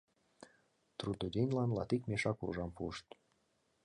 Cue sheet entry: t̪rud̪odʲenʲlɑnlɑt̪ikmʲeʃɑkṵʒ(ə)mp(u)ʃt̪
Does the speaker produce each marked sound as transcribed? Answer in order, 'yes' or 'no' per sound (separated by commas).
no, yes